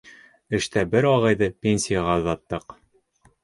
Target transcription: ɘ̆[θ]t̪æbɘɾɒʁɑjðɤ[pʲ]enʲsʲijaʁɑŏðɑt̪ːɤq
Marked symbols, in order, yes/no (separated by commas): no, yes